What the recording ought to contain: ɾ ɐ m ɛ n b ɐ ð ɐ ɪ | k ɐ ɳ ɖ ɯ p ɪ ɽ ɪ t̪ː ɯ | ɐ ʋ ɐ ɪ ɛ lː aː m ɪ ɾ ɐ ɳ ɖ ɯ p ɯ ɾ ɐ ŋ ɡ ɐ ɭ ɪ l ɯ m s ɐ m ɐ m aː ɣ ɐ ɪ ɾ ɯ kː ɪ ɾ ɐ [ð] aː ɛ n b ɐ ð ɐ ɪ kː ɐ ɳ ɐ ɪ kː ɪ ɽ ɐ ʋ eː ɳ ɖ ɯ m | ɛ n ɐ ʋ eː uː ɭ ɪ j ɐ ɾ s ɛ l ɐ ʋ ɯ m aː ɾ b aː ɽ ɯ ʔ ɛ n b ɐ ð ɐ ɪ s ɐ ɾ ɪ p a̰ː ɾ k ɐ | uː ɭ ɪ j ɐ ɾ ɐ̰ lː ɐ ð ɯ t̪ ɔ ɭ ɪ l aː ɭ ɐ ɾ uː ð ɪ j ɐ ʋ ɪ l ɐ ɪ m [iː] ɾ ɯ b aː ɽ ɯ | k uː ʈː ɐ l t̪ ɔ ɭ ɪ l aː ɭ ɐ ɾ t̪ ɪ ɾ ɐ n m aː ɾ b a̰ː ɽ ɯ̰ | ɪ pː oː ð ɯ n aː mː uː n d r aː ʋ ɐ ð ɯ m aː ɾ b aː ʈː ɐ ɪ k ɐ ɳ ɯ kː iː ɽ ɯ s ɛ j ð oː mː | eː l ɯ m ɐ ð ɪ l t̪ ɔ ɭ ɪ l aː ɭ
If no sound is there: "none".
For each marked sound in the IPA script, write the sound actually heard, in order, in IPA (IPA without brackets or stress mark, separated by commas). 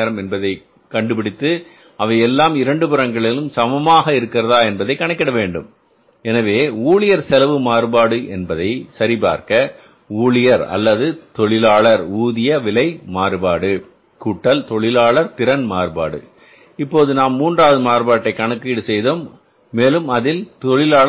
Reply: ð, aː